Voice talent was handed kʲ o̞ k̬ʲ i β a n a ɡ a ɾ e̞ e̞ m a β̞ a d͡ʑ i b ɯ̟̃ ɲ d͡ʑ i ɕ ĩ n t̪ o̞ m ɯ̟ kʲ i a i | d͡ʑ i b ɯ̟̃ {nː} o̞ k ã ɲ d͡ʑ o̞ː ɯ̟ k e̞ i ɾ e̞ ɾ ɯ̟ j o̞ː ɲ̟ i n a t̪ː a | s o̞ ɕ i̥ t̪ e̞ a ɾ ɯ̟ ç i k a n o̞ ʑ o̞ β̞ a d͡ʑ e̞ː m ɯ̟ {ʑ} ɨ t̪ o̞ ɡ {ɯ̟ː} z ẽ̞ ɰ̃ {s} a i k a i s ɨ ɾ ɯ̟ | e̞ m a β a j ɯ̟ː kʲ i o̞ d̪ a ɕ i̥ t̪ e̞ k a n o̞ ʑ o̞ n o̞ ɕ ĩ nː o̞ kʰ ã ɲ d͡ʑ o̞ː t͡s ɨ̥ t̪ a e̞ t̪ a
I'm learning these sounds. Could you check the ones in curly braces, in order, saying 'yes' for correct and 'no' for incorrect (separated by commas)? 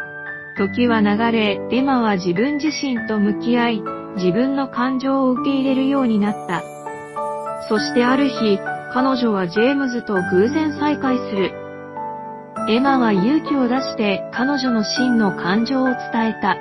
yes, no, yes, yes